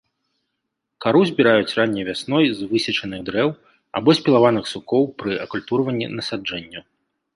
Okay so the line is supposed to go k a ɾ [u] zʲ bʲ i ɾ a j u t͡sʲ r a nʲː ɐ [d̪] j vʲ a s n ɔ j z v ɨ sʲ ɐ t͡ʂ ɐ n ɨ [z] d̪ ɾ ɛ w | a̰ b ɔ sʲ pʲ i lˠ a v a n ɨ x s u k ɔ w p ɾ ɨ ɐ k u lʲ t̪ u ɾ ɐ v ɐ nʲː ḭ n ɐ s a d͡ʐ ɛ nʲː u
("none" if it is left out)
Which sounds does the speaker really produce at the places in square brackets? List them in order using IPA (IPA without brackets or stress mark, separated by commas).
u, none, ɣ